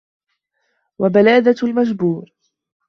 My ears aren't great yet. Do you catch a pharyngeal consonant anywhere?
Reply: no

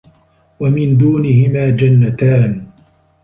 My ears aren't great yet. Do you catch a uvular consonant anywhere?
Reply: no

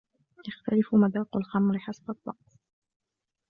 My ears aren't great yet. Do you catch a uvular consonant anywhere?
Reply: yes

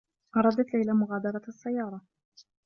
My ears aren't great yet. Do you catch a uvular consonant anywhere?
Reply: no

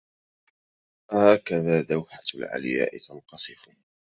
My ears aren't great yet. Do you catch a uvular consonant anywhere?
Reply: yes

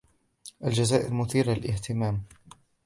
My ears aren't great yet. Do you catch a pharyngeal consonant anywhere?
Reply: no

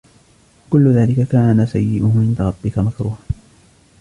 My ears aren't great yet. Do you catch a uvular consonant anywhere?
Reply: no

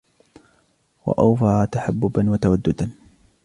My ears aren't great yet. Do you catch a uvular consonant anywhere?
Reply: no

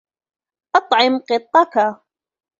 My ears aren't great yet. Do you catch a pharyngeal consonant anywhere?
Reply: yes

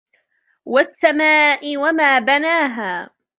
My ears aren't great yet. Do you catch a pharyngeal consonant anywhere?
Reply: no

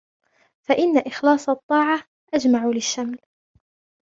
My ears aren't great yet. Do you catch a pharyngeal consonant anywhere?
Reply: yes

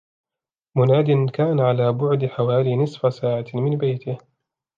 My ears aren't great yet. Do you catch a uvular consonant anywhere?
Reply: no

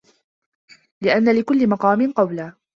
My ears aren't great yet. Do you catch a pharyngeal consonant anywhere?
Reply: no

